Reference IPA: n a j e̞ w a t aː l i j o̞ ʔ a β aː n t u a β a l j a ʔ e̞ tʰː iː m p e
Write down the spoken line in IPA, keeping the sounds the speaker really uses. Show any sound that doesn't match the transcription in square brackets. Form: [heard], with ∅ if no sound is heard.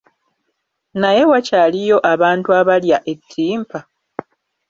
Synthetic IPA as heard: n a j e̞ w a [c] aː l i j o̞ ʔ a β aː n t u a β a l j a ʔ e̞ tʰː iː m p [a]